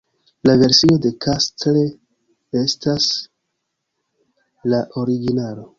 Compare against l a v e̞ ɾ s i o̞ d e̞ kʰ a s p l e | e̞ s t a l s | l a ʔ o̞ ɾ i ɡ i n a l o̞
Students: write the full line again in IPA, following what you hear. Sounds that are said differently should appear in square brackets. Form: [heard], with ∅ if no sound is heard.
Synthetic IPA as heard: l a v e̞ ɾ s i o̞ d e̞ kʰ a s [t] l e | e̞ s t a [∅] s | l a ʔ o̞ ɾ i ɡ i n a l o̞